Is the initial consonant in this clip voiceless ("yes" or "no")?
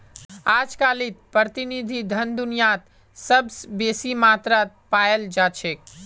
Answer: no